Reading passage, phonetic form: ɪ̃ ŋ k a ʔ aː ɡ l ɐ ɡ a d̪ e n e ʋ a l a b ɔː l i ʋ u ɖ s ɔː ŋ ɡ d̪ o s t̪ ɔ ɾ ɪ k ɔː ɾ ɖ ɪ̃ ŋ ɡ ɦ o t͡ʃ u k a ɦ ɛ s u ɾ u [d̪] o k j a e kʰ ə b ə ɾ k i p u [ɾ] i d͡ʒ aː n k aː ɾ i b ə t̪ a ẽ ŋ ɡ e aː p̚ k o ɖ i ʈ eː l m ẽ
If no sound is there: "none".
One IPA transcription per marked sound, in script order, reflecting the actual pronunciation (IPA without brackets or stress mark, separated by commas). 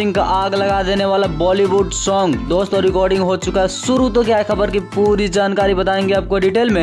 t̪, ɾ